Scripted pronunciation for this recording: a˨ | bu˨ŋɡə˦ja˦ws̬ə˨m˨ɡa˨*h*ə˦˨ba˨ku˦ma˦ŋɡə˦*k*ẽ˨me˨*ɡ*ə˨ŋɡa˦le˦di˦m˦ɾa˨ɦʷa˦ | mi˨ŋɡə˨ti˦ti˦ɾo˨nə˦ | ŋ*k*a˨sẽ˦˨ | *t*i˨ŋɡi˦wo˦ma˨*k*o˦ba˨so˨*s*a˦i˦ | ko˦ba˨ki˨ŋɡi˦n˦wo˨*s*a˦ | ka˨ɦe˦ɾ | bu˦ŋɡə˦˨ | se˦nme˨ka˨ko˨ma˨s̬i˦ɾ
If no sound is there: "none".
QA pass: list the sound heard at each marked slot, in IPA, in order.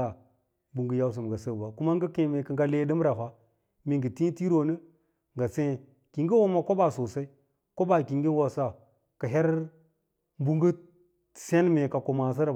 s, k, k, ɡ, k, k, s, s

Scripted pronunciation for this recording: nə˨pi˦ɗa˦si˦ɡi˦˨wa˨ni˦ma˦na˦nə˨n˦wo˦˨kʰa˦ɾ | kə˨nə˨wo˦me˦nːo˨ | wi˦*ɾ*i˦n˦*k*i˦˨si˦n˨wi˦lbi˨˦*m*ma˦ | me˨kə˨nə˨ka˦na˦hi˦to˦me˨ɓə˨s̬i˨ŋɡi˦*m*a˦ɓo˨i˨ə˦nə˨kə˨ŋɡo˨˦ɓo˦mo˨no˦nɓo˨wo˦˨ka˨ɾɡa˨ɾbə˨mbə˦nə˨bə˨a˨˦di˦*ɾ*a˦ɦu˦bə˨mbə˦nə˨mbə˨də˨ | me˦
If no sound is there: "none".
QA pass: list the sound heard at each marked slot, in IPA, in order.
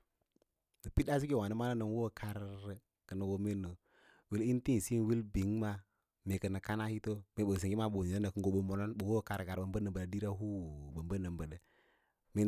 l, t, ŋ, m, ɾ

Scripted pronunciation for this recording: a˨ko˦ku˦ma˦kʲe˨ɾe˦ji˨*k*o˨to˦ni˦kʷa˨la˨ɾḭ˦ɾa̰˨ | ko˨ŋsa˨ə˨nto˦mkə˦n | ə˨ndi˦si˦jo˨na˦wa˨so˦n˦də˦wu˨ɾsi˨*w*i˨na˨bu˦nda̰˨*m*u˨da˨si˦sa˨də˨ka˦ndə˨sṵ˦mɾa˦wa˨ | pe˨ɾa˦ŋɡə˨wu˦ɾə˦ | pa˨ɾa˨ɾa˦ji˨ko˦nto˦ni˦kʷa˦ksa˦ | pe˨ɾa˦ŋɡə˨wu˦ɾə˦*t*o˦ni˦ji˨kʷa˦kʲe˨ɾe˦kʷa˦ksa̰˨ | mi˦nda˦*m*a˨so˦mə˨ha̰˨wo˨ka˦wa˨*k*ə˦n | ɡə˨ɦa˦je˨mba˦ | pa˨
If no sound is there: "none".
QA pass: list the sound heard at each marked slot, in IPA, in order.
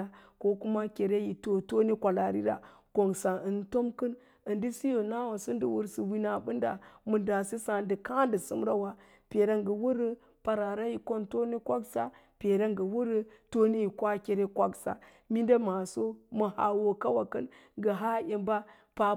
t, w, m, t, m, k

